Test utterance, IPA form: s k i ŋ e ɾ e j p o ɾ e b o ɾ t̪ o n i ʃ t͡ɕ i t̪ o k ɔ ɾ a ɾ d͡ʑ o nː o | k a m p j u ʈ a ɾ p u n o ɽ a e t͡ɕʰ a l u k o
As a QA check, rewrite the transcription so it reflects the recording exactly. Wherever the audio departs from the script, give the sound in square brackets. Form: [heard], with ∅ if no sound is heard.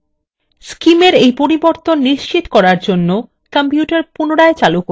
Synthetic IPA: s k i [m] e ɾ e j p o ɾ [i] b o ɾ t̪ o [nː] i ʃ t͡ɕ i t̪ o k ɔ ɾ a ɾ d͡ʑ o nː o | k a m p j u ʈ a ɾ p u n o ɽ a e [t͡ɕ] a l u k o